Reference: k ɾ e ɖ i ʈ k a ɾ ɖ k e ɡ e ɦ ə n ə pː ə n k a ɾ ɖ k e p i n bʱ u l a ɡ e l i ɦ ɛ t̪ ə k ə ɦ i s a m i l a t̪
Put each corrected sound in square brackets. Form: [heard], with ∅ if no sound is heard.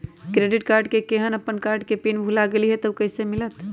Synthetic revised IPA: k ɾ e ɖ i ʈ k a ɾ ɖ k e [k] e ɦ ə n ə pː ə n k a ɾ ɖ k e p i n bʱ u l a ɡ e l i ɦ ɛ t̪ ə k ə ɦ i s [e] m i l [ə] t̪